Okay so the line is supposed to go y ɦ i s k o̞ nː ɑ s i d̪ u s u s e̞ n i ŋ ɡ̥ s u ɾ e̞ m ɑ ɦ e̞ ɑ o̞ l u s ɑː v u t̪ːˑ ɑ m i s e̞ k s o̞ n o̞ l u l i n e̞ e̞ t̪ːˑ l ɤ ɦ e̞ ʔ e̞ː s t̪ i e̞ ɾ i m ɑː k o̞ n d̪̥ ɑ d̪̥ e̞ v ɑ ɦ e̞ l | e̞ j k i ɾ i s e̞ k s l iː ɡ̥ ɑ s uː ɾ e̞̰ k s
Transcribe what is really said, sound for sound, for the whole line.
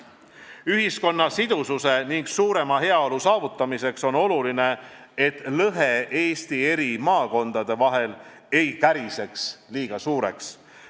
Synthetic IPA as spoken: y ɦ i s k o̞ nː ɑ s i d̪ u s u s e̞ n i ŋ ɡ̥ s uː ɾ e̞ m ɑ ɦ e̞ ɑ o̞ l u s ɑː v u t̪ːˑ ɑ m i s e̞ k s o̞ n o̞ l u l i n e̞ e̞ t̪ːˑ l ɤ ɦ e̞ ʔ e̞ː s t̪ i e̞ ɾ i m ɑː k o̞ n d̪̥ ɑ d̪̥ e̞ v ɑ ɦ e̞ l | e̞ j k æ ɾ i s e̞ k s l iː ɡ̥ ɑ s uː ɾ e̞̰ k s